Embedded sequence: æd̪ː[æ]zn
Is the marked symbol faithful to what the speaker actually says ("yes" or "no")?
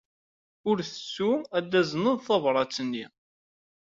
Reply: yes